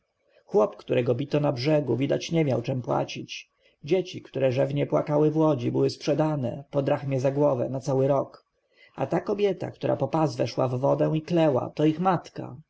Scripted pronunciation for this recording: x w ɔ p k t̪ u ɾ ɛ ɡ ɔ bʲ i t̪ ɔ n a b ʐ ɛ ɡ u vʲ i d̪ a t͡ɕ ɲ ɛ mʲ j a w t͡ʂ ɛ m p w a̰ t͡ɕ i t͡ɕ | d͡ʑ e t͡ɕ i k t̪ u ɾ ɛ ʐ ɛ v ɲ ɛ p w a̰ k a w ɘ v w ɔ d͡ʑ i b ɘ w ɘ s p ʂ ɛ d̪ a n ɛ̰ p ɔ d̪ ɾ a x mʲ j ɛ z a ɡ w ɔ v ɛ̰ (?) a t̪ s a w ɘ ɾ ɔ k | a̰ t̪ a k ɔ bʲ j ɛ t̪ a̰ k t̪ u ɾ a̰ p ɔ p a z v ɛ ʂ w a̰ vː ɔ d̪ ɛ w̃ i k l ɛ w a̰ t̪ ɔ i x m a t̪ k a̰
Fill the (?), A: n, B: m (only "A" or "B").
A